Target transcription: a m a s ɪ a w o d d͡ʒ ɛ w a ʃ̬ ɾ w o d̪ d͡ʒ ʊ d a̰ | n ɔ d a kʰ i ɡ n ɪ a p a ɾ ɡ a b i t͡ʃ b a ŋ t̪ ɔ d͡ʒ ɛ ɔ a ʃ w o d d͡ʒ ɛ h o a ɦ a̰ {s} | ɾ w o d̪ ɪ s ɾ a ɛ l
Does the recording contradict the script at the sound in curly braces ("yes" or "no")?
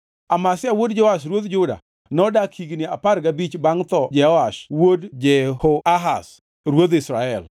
no